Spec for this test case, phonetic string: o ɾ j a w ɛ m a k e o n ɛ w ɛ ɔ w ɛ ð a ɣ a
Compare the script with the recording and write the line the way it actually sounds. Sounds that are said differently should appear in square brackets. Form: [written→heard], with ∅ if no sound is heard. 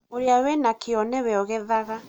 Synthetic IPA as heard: o ɾ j a w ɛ [m→n] a k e [o→ɔ] n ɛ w ɛ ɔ [w→ɣ] ɛ ð a ɣ a